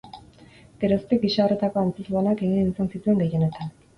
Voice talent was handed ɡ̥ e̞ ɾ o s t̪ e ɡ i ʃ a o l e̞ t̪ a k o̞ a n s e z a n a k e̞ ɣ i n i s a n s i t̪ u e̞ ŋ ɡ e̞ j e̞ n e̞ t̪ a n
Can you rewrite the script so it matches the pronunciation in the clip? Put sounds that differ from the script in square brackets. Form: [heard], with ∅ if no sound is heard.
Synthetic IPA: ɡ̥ e̞ ɾ o s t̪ e ɡ i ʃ a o [r] e̞ t̪ a k o̞ a n [t͡s] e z a n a k e̞ ɣ i n i s a n s i t̪ u e̞ ŋ ɡ e̞ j e̞ n e̞ t̪ a n